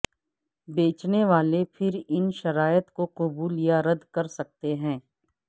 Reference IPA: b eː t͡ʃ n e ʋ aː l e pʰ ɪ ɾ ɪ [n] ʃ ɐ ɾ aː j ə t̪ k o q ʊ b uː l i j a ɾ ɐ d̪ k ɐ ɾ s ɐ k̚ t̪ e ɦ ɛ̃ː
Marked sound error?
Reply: no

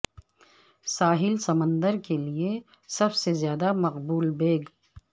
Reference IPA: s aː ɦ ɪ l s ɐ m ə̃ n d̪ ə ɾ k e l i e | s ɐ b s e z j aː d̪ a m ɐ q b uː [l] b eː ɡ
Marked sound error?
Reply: no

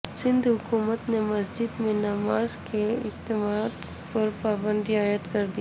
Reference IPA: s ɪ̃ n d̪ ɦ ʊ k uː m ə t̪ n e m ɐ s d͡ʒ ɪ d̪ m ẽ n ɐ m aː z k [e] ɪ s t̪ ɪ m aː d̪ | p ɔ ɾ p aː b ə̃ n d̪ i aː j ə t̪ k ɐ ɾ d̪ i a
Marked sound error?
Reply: no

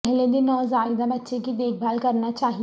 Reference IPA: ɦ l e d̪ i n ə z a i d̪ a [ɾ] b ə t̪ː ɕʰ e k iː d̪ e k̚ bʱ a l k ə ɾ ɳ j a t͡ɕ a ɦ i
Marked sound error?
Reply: yes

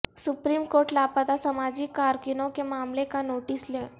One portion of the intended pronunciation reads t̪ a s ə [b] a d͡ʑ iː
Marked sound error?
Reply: yes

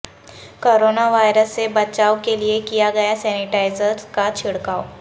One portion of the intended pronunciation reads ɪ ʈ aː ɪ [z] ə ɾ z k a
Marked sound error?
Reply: no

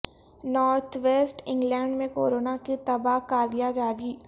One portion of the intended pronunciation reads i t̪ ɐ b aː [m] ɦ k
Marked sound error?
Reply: yes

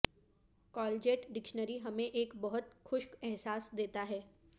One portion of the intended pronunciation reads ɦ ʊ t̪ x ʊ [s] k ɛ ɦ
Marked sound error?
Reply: yes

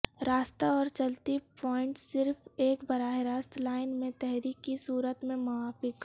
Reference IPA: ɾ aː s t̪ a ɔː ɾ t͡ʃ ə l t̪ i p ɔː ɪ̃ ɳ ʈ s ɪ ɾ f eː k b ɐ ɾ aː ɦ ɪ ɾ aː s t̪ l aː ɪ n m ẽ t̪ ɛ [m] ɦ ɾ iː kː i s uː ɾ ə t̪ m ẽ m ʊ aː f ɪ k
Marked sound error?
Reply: yes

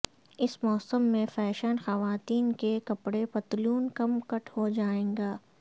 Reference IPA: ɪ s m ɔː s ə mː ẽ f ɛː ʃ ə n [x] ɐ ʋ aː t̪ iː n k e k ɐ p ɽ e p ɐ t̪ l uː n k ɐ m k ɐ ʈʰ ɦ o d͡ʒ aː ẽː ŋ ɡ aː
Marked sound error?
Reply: no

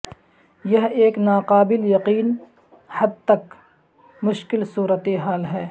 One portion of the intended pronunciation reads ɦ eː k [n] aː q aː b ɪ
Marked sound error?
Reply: no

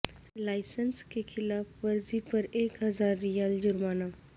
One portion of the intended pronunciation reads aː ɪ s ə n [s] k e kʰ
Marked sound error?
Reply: no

